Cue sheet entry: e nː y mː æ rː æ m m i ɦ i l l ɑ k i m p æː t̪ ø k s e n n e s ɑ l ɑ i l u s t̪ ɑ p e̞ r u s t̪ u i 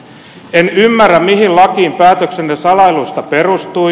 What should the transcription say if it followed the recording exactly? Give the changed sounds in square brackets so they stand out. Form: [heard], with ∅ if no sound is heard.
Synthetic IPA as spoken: e [n] y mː æ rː æ m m i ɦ i l l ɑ k [iː] m p æː t̪ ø k s e n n e s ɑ l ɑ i l u s t̪ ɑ p e̞ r u s t̪ u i